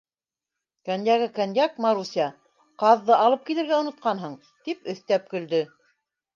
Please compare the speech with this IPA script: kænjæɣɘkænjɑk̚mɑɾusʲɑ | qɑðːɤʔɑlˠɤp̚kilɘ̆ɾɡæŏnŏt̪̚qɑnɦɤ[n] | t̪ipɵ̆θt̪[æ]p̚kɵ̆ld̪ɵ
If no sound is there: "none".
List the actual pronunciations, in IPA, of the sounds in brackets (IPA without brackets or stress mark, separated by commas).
ɴ, æ